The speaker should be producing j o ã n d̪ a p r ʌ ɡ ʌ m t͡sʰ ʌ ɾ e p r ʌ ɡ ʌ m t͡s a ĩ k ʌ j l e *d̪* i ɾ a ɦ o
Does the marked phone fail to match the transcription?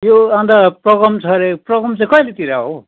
yes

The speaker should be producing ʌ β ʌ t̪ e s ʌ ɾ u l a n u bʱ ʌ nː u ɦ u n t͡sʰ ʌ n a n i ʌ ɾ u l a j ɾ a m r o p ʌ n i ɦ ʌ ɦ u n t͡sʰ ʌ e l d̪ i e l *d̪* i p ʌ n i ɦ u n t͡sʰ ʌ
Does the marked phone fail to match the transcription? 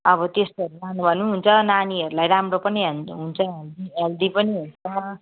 no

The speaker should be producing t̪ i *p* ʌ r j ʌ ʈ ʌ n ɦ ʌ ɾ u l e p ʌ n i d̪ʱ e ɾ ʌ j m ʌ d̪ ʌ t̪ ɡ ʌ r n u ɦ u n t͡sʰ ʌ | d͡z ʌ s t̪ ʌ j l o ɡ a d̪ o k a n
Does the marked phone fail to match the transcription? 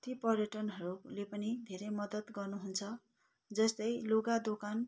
no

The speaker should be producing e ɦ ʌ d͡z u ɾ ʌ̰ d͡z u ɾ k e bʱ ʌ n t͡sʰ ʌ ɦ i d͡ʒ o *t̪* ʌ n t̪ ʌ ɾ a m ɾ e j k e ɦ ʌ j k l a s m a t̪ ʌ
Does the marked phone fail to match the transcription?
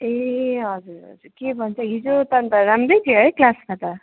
no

